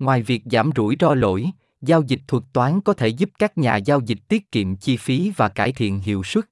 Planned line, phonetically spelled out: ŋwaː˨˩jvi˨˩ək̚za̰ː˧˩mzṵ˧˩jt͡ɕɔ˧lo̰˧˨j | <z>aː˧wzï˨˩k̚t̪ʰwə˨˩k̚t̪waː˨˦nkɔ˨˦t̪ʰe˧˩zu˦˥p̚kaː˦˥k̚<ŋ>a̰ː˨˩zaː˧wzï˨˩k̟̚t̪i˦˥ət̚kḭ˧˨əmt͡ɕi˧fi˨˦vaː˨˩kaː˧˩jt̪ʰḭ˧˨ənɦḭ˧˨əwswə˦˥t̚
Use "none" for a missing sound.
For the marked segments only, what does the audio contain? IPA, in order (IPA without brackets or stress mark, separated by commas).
z, ɲ